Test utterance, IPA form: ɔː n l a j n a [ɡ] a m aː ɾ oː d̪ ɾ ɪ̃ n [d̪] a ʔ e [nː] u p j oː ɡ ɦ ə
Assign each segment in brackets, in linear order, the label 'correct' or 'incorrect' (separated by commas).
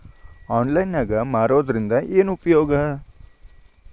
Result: correct, correct, incorrect